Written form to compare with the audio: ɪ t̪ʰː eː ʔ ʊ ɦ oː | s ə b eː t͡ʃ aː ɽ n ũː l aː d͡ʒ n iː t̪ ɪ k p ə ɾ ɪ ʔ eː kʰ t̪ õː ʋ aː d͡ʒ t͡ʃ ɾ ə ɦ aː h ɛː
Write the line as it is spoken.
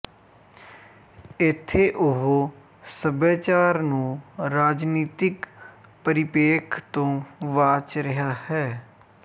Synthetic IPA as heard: ɪ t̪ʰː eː ʔ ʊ ɦ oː | s ə b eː t͡ʃ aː ɾ n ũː ɾ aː d͡ʒ n iː t̪ ɪ k p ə ɾ ɪ p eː kʰ t̪ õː ʋ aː t͡ʃ ɾ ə ɦ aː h ɛː

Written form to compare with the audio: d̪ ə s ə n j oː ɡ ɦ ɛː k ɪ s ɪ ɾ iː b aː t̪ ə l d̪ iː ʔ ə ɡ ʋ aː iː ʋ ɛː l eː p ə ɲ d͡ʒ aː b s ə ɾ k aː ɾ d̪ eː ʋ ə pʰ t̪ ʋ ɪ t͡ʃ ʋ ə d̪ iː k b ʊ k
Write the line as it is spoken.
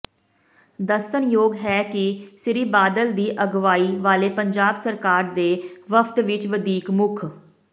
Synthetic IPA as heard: d̪ ə s ə n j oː ɡ ɦ ɛː k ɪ s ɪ ɾ iː b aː d̪ ə l d̪ iː ʔ ə ɡ ʋ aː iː ʋ aː l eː p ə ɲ d͡ʒ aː b s ə ɾ k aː ɾ d̪ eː ʋ ə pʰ t̪ ʋ ɪ t͡ʃ ʋ ə d̪ iː k m ʊ kʰ

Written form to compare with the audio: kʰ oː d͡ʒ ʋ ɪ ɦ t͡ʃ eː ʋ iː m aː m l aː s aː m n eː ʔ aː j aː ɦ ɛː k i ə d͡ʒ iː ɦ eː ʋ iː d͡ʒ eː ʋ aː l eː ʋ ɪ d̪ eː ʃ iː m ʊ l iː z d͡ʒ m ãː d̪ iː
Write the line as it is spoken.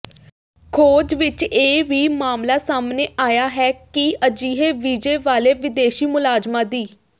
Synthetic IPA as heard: kʰ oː d͡ʒ ʋ ɪ t͡ʃ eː ʋ iː m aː m l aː s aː m n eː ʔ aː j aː ɦ ɛː k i ə d͡ʒ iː ɦ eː ʋ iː d͡ʒ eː ʋ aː l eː ʋ ɪ d̪ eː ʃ iː m ʊ l aː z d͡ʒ m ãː d̪ iː

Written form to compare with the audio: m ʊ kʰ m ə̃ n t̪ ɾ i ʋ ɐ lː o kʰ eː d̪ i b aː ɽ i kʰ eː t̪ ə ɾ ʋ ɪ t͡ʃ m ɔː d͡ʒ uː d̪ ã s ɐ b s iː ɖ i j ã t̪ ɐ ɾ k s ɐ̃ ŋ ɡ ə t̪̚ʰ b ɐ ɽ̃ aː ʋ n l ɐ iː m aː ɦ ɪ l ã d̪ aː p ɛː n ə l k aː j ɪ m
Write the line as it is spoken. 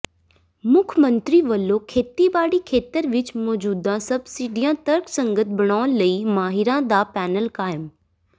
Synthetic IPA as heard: m ʊ kʰ m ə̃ n t̪ ɾ i ʋ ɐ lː o kʰ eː t̪ i b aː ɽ i kʰ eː t̪ ə ɾ ʋ ɪ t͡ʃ m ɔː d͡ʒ uː d̪ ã s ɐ b s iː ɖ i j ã t̪ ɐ ɾ k s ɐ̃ ŋ ɡ ə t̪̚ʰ b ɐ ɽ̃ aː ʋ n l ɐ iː m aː ɦ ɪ ɾ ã d̪ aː p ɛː n ə l k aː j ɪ m

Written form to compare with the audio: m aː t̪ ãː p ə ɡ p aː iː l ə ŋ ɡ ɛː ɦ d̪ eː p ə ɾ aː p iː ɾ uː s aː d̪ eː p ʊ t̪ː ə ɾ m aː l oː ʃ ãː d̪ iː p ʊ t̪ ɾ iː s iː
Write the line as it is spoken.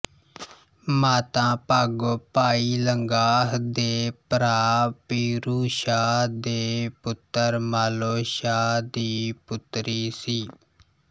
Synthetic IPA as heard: m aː t̪ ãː p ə ɡ p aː iː l ə ŋ ɡ aː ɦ d̪ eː p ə ɾ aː p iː ɾ uː ʃ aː d̪ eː p ʊ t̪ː ə ɾ m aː l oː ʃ aː d̪ iː p ʊ t̪ ɾ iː s iː

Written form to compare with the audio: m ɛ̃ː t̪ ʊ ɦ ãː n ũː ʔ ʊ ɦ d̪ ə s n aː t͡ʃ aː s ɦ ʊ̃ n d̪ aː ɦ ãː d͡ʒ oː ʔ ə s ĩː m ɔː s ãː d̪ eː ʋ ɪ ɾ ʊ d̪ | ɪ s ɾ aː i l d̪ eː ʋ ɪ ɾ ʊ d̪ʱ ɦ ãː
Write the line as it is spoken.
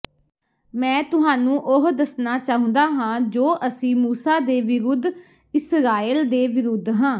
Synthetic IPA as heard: m ɛ̃ː t̪ ʊ ɦ aː n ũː ʔ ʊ ɦ d̪ ə s n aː t͡ʃ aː ɦ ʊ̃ n d̪ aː ɦ ãː d͡ʒ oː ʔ ə s ĩː m uː s aː d̪ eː ʋ ɪ ɾ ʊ d̪ | ɪ s ɾ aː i l d̪ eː ʋ ɪ ɾ ʊ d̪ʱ ɦ ãː

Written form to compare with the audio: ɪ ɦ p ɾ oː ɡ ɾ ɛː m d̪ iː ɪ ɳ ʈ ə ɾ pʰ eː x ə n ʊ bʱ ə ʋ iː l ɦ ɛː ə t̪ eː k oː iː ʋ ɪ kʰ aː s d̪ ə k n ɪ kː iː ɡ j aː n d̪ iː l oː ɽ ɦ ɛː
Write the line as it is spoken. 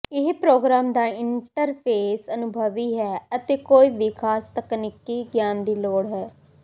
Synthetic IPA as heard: ɪ ɦ p ɾ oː ɡ ɾ aː m d̪ aː ɪ ɳ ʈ ə ɾ pʰ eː s ə n ʊ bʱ ə ʋ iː ɦ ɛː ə t̪ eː k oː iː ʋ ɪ kʰ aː s t̪ ə k n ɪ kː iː ɡ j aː n d̪ iː l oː ɽ ɦ ɛː

